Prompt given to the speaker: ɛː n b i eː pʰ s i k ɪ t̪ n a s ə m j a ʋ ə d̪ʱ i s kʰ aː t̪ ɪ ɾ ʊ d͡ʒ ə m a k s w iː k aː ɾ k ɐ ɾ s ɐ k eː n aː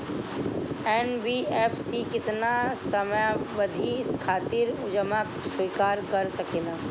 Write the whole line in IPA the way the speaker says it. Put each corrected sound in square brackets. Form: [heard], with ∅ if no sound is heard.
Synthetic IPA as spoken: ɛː n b i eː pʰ s i k ɪ t̪ n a s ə m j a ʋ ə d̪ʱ i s kʰ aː t̪ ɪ ɾ ʊ d͡ʒ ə m a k s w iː k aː ɾ k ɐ ɾ s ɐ k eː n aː